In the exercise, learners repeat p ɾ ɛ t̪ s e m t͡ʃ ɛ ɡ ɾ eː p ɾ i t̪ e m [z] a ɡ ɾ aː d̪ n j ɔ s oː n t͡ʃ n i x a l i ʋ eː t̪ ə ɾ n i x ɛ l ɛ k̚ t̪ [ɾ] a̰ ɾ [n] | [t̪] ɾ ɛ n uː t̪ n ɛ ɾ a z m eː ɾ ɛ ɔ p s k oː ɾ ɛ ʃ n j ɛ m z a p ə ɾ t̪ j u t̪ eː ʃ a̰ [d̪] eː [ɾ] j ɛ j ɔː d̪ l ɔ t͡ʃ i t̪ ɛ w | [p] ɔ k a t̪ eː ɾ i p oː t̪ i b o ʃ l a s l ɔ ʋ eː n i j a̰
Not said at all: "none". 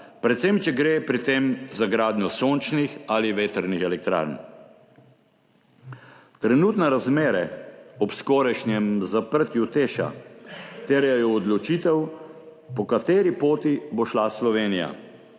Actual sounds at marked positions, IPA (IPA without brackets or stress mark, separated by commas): z, ɾ, n, t̪, t̪, ɾ, p